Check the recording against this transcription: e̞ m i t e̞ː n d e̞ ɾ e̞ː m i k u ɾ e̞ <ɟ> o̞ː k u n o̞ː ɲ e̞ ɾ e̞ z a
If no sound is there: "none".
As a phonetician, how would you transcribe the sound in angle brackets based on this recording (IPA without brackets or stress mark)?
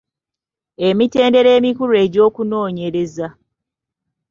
ɟ